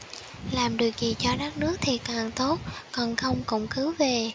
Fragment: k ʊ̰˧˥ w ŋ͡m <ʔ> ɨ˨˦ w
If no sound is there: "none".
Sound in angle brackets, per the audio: k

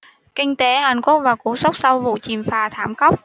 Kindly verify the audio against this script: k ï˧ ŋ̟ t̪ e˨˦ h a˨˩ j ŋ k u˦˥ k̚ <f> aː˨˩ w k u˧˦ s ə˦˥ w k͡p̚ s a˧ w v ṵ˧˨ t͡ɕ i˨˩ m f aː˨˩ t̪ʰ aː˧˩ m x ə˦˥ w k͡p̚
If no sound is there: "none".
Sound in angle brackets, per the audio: v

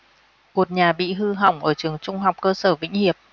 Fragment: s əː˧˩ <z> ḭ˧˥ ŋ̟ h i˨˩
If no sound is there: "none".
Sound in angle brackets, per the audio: v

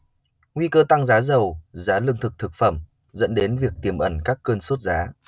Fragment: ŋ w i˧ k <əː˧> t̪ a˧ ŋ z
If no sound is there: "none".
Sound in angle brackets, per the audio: əː˧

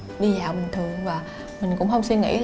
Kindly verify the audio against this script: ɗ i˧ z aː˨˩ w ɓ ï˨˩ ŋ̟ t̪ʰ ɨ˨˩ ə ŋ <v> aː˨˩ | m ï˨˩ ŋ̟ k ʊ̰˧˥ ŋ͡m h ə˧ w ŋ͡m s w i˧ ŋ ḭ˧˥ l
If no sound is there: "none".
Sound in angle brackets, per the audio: v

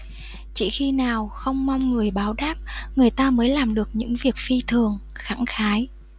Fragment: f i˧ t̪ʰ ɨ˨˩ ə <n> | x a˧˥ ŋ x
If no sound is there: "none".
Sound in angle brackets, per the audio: ŋ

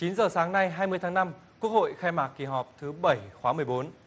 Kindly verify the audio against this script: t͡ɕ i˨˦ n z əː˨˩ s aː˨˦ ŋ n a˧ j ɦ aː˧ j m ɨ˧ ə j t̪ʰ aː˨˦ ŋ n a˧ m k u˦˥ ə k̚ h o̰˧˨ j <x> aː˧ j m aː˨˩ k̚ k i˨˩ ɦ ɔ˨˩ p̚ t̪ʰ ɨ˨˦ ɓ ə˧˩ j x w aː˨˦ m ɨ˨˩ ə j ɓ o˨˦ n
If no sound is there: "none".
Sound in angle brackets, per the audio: x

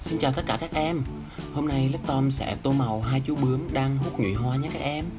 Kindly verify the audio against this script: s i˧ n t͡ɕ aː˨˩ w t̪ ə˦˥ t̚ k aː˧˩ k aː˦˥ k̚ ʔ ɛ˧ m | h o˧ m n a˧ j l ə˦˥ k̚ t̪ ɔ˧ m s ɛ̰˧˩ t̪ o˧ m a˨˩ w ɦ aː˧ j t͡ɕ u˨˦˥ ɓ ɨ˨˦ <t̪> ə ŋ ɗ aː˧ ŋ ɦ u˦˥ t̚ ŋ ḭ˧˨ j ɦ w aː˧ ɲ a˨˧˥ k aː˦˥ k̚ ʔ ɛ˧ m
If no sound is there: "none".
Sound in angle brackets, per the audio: none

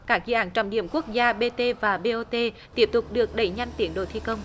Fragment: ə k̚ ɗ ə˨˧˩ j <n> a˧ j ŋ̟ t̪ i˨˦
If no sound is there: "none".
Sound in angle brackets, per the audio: ɲ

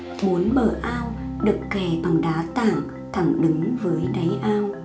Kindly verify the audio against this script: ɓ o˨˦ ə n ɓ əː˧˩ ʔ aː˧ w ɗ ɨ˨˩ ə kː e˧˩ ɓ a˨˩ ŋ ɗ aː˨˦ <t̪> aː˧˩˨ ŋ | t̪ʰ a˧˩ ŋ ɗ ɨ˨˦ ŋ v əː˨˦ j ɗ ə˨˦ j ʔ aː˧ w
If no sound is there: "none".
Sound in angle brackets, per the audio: t̪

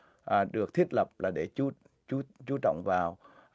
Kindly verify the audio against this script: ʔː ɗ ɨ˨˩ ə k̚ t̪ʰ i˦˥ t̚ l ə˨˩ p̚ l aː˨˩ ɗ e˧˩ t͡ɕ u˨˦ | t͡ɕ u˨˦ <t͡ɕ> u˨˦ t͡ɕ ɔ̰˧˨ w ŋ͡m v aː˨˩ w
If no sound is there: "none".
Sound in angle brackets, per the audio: t͡ɕ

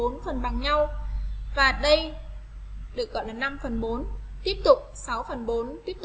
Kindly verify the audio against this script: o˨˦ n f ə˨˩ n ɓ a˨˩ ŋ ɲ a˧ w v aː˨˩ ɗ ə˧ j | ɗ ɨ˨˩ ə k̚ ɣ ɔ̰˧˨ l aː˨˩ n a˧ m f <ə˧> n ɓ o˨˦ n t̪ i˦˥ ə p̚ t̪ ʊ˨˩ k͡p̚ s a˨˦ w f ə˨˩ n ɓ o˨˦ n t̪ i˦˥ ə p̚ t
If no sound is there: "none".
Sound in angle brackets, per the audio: ə˨˩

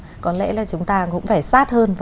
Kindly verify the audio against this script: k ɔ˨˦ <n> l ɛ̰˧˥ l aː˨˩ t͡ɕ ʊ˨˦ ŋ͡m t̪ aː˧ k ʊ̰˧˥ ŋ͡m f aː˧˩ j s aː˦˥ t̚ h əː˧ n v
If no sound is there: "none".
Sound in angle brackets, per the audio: n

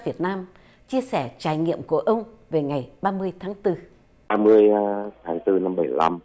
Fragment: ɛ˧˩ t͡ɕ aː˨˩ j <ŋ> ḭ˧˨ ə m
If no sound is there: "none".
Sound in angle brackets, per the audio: ŋ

